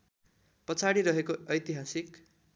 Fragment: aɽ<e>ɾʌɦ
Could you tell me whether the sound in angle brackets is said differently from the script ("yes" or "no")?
yes